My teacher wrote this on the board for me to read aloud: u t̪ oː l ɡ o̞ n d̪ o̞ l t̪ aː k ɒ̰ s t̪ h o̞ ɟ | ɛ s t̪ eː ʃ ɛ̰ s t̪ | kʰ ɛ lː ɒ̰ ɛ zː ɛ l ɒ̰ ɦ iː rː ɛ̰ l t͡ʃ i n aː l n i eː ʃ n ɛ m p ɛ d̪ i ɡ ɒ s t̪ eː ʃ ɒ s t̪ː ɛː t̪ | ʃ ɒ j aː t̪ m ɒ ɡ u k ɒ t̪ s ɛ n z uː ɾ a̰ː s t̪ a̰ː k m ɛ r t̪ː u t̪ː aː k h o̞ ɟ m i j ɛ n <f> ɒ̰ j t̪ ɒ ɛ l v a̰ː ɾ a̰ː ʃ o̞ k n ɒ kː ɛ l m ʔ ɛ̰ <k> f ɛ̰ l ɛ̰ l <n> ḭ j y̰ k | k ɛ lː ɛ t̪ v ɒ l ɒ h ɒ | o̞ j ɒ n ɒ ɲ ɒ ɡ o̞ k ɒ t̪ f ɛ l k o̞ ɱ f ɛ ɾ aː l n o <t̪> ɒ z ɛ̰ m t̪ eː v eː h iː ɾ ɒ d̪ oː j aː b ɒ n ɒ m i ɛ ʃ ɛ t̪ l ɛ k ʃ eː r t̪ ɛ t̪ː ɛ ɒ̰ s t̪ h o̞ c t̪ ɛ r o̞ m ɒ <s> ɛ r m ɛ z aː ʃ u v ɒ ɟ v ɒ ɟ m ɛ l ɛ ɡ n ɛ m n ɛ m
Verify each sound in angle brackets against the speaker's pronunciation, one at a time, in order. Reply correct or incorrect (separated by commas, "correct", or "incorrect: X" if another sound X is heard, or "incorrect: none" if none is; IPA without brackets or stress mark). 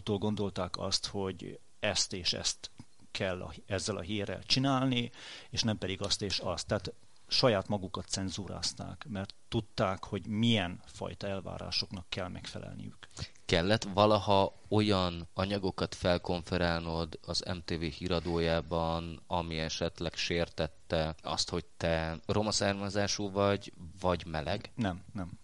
correct, correct, correct, incorrect: d̪, correct